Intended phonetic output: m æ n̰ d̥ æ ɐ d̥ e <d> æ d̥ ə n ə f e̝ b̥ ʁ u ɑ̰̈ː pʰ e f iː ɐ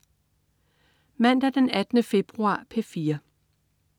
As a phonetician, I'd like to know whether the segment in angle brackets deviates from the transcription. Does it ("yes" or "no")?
yes